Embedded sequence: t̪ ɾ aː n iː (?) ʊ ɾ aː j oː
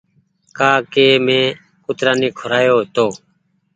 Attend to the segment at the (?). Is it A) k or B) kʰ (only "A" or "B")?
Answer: B